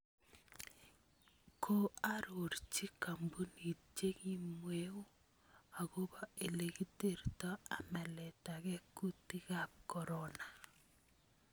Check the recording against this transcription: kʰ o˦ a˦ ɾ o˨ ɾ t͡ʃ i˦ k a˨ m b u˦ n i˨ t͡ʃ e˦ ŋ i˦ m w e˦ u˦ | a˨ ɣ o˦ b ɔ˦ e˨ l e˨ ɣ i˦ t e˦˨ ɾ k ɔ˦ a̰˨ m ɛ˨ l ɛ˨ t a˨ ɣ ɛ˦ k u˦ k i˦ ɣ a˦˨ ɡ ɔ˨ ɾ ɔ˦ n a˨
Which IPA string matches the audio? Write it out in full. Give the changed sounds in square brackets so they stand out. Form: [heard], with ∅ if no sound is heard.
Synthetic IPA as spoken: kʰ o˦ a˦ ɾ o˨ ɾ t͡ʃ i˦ k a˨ m b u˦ n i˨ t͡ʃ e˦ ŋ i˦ m w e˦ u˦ | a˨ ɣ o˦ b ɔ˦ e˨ l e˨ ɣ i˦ t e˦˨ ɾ [t] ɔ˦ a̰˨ m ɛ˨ l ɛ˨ t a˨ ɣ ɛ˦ k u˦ [t] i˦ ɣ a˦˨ [k] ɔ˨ ɾ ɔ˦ n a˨